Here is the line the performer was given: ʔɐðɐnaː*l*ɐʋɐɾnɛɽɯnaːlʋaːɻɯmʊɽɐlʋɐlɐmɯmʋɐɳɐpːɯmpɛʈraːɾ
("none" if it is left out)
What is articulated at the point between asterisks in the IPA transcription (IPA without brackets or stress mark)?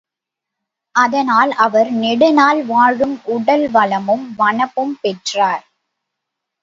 l